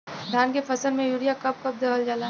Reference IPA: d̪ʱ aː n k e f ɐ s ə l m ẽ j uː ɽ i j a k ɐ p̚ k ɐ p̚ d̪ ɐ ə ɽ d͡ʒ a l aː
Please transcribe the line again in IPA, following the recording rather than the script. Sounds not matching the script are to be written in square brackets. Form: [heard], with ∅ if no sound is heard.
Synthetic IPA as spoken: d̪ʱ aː n k e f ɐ s ə l m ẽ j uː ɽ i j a k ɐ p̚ k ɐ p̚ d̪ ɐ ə [l] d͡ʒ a l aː